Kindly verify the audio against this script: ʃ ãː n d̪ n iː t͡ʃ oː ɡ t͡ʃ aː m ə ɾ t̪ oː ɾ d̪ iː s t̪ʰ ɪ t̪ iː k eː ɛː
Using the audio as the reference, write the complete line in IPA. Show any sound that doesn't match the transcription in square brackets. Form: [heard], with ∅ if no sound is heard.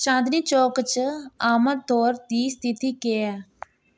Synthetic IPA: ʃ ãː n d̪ n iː t͡ʃ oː [k] t͡ʃ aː m ə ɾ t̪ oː ɾ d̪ iː s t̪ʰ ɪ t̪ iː k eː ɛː